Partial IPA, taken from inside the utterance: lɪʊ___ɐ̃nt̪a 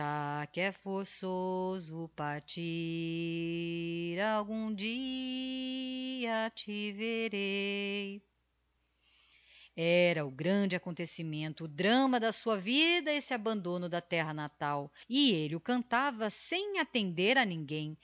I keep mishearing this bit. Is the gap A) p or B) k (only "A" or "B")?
B